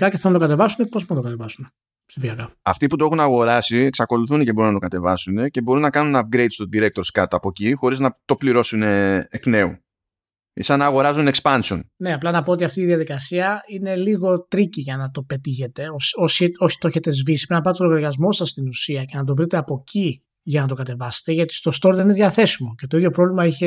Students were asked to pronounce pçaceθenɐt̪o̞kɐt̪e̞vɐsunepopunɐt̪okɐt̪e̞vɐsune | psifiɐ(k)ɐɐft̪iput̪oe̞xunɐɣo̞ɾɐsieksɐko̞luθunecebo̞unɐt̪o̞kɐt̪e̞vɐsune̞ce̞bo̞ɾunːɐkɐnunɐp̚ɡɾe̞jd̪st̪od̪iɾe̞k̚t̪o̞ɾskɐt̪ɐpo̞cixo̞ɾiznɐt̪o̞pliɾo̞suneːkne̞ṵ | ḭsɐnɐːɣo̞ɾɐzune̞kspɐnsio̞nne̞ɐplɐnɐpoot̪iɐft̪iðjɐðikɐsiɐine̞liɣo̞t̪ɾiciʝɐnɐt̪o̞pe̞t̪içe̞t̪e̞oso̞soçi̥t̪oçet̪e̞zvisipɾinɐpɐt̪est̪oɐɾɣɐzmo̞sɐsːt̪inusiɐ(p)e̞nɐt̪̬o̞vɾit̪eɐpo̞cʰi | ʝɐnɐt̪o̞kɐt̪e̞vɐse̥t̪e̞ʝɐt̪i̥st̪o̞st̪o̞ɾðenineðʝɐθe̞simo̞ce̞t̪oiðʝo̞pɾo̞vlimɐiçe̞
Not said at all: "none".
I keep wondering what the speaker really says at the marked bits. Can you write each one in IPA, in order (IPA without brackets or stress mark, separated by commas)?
k, c